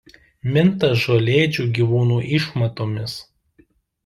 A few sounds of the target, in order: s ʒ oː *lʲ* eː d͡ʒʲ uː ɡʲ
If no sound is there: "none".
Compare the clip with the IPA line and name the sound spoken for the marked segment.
lʲ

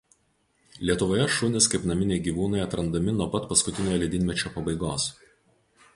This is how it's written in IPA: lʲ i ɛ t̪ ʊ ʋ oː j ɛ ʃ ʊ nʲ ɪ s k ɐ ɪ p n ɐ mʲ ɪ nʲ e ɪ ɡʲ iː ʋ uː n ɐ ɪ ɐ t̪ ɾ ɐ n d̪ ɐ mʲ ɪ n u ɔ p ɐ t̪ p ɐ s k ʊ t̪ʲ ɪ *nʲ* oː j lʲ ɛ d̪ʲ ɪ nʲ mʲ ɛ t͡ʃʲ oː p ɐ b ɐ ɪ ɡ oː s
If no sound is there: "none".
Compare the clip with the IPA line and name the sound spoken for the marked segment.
nʲ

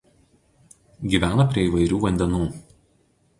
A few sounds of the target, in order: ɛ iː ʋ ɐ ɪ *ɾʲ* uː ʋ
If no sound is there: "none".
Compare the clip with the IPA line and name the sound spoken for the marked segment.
ɾʲ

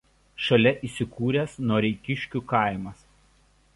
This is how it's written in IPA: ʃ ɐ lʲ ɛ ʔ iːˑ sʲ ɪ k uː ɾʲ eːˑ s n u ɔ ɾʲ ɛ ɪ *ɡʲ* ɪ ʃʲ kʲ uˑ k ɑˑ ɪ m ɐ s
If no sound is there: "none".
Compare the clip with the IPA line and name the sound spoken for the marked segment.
kʲ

